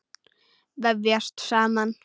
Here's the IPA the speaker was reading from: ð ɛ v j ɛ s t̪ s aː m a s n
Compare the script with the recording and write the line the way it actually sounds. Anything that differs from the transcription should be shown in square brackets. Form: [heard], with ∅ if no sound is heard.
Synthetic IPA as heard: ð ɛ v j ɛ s t̪ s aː m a [∅] n